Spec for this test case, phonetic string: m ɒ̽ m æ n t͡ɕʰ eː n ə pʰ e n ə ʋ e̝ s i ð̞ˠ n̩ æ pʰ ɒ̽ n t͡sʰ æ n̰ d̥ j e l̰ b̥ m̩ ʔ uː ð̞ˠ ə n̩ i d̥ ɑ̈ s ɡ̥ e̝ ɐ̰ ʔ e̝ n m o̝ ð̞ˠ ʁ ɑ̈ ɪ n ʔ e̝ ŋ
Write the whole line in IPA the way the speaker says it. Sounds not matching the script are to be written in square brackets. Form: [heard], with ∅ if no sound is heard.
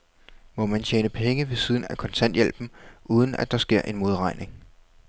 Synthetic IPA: m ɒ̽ m æ n t͡ɕʰ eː n ə pʰ e [ŋ] ə ʋ e̝ s i ð̞ˠ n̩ æ [kʰ] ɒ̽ n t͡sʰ æ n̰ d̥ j e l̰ b̥ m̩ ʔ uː ð̞ˠ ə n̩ [æ] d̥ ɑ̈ s ɡ̥ e̝ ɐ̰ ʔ e̝ n m o̝ ð̞ˠ ʁ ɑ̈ ɪ n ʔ e̝ ŋ

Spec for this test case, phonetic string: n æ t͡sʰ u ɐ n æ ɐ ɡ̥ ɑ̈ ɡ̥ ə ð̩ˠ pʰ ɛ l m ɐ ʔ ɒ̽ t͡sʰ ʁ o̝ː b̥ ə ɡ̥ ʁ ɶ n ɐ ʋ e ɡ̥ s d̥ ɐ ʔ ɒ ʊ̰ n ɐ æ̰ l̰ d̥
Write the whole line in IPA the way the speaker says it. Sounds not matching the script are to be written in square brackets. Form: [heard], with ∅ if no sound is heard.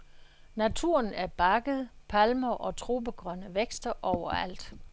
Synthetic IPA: n æ t͡sʰ u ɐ n æ ɐ [b̥] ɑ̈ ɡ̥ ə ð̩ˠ pʰ [æ] l m ɐ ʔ ɒ̽ t͡sʰ ʁ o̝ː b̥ ə ɡ̥ ʁ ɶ n [ə] ʋ e ɡ̥ s d̥ ɐ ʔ ɒ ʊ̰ [∅] ɐ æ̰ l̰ d̥

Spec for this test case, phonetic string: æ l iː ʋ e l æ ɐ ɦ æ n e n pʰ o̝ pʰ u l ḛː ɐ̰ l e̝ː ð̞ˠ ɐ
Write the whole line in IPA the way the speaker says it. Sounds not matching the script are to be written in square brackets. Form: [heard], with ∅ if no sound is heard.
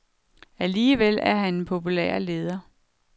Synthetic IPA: æ l iː ʋ e l æ ɐ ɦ æ n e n pʰ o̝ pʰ u l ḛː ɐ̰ l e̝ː ð̞ˠ ɐ

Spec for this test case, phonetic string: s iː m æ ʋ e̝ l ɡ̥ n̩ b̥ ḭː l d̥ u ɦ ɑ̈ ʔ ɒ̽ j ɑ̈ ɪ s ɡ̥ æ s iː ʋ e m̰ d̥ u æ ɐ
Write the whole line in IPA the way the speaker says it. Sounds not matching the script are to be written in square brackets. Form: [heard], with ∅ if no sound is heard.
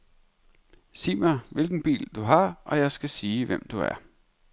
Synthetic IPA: s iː m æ ʋ e̝ l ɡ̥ n̩ b̥ ḭː l d̥ u ɦ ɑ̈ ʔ ɒ̽ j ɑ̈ ɪ s ɡ̥ æ s iː ʋ e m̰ d̥ u æ ɐ

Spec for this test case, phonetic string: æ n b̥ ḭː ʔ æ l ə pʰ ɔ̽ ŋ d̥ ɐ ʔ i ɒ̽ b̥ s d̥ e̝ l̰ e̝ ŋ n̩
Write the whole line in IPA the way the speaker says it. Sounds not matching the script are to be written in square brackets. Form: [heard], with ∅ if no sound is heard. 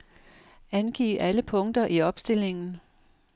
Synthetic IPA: æ n [ɡ̥] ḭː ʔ æ l ə pʰ ɔ̽ ŋ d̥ ɐ ʔ i ɒ̽ b̥ s d̥ e̝ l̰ e̝ ŋ n̩

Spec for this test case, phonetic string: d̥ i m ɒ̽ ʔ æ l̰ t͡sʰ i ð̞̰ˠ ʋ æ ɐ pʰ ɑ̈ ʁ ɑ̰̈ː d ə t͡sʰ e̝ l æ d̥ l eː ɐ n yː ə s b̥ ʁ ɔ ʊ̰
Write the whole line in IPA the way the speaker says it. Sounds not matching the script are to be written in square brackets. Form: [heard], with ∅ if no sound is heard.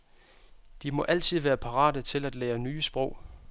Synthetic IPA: d̥ i m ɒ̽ ʔ æ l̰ t͡sʰ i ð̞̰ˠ ʋ [æː] ɐ pʰ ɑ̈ ʁ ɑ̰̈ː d ə t͡sʰ e̝ l æ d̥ l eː ɐ n yː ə s b̥ ʁ ɔ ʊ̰

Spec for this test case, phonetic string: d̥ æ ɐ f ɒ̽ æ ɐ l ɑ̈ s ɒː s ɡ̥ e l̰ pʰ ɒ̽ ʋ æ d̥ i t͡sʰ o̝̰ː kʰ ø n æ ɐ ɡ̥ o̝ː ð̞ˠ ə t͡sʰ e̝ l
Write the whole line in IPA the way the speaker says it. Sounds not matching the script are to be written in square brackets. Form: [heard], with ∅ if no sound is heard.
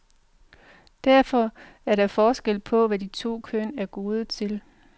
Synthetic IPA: d̥ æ ɐ f ɒ̽ æ ɐ [ɾ] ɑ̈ [f] ɒː s ɡ̥ e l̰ pʰ ɒ̽ ʋ æ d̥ i t͡sʰ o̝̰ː kʰ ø n æ ɐ ɡ̥ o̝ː ð̞ˠ ə t͡sʰ e̝ l

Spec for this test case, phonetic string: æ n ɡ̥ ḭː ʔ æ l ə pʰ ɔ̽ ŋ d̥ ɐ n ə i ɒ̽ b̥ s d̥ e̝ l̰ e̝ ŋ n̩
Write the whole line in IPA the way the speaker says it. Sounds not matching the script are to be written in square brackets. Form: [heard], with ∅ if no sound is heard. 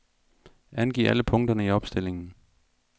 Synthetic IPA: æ n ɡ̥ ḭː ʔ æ l ə pʰ ɔ̽ ŋ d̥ ɐ n ə i ɒ̽ b̥ s d̥ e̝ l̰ e̝ ŋ n̩

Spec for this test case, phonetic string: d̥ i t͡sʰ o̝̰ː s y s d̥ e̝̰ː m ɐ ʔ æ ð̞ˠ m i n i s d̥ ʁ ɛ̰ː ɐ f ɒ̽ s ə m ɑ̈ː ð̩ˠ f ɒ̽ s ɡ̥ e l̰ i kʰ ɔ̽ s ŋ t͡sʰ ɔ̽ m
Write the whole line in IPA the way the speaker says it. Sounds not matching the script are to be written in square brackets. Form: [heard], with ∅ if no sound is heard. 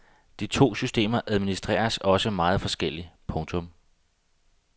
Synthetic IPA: d̥ i t͡sʰ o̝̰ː s y s d̥ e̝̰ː m ɐ ʔ æ ð̞ˠ m i n i s d̥ ʁ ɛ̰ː ɐ [s] ɒ̽ s ə m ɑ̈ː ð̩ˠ f ɒ̽ s ɡ̥ e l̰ i [pʰ] ɔ̽ [∅] ŋ t͡sʰ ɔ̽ m

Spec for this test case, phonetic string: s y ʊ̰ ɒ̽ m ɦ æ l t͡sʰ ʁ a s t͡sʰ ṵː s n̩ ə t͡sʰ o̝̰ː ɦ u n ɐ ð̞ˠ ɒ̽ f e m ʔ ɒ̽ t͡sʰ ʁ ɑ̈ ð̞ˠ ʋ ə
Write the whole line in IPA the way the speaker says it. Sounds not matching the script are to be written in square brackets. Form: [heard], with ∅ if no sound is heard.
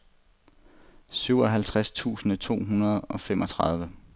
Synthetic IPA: s y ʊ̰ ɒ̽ [∅] ɦ æ l t͡sʰ ʁ a s t͡sʰ ṵː s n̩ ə t͡sʰ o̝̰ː ɦ u n ɐ ð̞ˠ ɒ̽ f e m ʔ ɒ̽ t͡sʰ ʁ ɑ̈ ð̞ˠ ʋ ə

